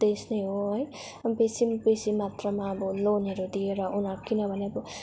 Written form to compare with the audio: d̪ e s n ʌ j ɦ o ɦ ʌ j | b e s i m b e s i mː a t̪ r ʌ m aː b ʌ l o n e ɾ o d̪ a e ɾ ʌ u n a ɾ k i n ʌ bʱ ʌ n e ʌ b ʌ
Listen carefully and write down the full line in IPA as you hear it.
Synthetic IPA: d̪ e s n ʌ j ɦ o ɦ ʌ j | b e s i m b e s i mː a t̪ r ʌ m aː b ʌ l o n e ɾ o d̪ i e ɾ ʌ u n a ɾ k i n ʌ bʱ ʌ n e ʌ b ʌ